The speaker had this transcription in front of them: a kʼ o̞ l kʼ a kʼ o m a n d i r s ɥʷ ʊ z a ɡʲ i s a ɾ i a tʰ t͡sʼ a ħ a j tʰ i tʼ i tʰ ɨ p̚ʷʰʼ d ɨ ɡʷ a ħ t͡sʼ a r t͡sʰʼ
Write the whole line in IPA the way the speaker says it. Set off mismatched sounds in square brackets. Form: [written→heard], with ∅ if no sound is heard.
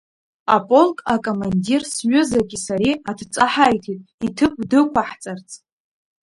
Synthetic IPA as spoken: a [kʼ→pʼ] o̞ l kʼ a kʼ o m a n d i r s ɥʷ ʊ z a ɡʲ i s a ɾ i a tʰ t͡sʼ a ħ a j tʰ i tʼ i tʰ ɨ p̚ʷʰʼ d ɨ [ɡʷ→kʷ] a ħ t͡sʼ a r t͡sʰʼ